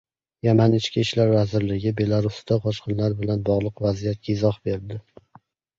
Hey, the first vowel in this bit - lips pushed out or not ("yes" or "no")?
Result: no